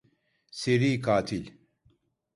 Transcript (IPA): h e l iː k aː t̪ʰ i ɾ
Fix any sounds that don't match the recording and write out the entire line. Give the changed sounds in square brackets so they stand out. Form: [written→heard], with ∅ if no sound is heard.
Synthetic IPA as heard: [h→s] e [l→ɾ] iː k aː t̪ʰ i [ɾ→l]

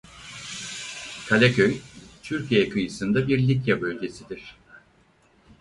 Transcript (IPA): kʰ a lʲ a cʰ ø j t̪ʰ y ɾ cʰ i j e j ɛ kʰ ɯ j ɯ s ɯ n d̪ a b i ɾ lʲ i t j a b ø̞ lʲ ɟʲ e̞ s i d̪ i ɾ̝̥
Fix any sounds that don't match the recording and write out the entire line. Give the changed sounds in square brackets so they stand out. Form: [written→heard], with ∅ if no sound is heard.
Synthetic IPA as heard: kʰ a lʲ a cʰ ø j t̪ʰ y ɾ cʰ i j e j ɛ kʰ ɯ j ɯ s ɯ n d̪ a b i ɾ lʲ i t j a b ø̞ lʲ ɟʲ e̞ s i d̪ i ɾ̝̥

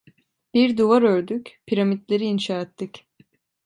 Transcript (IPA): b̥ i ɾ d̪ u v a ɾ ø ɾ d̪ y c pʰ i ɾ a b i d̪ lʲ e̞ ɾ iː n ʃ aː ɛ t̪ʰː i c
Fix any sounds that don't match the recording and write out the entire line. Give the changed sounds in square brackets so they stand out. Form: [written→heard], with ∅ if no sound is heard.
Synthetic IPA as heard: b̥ i ɾ d̪ u v a ɾ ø ɾ d̪ y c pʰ i ɾ a [b→m] i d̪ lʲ e̞ ɾ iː n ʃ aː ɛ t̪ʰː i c

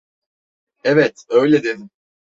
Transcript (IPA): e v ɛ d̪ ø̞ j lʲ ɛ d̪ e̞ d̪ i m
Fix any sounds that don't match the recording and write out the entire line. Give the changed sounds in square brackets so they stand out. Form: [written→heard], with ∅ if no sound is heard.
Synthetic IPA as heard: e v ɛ [d̪→t̪] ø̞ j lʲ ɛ d̪ e̞ d̪ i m

